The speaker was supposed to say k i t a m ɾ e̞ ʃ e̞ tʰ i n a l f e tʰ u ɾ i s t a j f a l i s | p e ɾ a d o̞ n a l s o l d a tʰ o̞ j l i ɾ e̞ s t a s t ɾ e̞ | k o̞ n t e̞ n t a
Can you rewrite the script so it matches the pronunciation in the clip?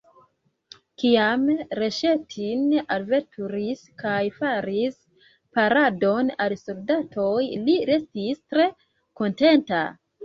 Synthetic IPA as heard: k i a m ɾ e̞ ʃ e̞ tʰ i n a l v e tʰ u ɾ i s k a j f a ɾ i s | p a ɾ a d o̞ n a l s o l d a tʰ o̞ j l i ɾ e̞ s t i s t ɾ e̞ | k o̞ n t e̞ n t a